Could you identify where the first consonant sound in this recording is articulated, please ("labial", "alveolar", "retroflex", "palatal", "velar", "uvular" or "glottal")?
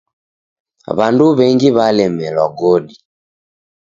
labial